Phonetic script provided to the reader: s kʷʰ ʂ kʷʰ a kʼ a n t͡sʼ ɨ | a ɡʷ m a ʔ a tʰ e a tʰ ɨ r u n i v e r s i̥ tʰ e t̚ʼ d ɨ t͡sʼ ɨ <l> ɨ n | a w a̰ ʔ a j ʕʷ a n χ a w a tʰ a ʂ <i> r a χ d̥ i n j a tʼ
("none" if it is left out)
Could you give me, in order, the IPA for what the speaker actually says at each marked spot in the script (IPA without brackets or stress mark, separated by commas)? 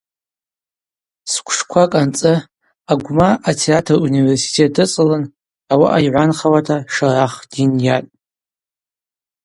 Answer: l, a